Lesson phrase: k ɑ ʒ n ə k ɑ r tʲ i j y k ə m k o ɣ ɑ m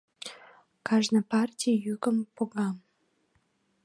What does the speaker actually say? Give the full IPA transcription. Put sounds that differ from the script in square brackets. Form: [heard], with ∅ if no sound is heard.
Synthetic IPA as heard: k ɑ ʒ n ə [p] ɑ r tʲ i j y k ə m [p] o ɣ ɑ m

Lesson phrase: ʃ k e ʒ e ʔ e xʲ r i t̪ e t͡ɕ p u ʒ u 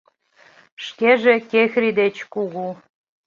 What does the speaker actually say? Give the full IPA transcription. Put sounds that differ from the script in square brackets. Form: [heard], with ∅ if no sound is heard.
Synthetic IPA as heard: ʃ k e ʒ e [k] e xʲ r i [d̪] e t͡ɕ [k] u [ɣ] u

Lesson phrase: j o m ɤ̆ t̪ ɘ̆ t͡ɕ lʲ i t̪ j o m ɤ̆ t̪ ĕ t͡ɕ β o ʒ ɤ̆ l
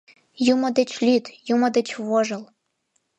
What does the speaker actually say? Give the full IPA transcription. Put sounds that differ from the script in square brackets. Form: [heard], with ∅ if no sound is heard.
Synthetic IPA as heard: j [u] m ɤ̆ [d̪] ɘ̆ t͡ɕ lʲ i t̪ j [u] m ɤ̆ [d̪] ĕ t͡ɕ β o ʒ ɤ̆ l

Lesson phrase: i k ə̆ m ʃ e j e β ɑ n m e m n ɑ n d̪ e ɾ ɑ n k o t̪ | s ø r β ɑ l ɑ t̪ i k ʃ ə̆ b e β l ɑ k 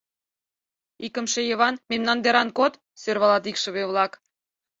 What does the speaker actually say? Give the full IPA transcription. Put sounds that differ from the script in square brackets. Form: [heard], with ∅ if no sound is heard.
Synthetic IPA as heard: i k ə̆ m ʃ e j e β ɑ n m e m n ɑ n d̪ e ɾ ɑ n k o t̪ | s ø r β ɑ l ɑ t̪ i k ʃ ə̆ [β] e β l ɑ k

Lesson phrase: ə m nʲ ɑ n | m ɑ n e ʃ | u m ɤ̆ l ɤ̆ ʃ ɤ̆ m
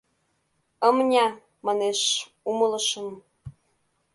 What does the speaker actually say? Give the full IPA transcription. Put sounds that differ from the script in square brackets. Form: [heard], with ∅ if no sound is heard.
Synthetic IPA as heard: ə m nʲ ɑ [∅] | m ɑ n e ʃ | u m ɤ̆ l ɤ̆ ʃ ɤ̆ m

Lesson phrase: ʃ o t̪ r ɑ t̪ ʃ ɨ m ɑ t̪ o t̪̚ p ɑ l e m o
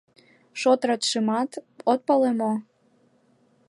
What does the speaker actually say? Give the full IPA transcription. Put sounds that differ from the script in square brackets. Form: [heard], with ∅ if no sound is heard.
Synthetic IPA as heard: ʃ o t̪ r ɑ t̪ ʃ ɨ m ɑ t̪ o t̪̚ p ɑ l e m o

